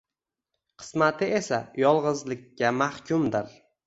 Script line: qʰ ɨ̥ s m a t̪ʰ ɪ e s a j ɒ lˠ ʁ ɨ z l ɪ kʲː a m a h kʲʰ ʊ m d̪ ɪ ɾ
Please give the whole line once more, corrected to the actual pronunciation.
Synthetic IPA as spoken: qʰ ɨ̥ s m a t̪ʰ ɪ e s a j ɒ lˠ ʁ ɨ z l ɪ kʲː a m a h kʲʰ ʊ m d̪ ɪ ɾ

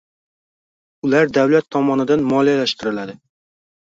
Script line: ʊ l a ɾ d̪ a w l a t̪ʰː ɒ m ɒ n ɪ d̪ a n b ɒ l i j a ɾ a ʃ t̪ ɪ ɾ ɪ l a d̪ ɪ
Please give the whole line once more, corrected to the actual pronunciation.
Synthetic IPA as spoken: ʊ l a ɾ d̪ a w l a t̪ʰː ɒ m ɒ n ɪ d̪ a n m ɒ l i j a l a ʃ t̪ ɪ ɾ ɪ l a d̪ ɪ

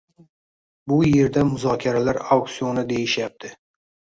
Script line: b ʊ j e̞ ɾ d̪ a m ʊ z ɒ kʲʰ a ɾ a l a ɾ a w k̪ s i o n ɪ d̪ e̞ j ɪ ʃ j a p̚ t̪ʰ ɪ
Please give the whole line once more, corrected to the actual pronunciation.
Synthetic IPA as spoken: b ʊ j e̞ ɾ d̪ a m ʊ z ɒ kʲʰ a ɾ a l a ɾ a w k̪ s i o n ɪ d̪ e̞ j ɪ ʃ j a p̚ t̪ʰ ɪ

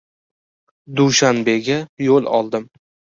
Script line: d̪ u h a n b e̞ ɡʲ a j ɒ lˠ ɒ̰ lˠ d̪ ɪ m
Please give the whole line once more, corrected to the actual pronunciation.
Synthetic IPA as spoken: d̪ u ʃ a n b e̞ ɡʲ a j o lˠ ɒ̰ lˠ d̪ ɪ m

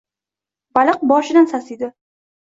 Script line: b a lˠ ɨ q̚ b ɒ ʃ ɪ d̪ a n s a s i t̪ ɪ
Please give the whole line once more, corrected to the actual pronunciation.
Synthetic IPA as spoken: b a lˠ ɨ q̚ b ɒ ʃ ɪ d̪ a n s a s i d̪ ɪ

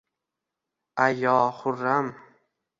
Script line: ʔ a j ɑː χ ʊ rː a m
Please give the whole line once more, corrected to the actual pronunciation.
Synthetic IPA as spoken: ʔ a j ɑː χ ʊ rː a m

